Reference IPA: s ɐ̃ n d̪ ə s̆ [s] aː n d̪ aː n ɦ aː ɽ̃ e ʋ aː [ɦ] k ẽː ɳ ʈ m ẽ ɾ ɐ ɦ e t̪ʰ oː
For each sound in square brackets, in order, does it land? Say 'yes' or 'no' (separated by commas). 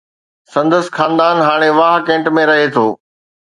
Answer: no, yes